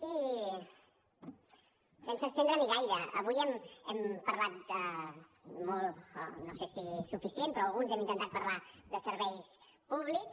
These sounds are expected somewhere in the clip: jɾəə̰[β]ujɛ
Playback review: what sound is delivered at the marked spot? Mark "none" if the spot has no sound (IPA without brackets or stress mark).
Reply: β